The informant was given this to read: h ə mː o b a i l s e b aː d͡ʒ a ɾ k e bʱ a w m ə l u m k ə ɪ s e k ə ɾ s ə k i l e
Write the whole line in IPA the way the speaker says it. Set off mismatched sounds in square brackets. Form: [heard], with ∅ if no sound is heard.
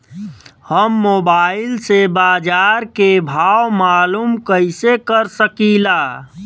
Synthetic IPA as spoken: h ə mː o b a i l s e b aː d͡ʒ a ɾ k e bʱ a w m [a] l u m k ə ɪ s e k ə ɾ s ə k i l [a]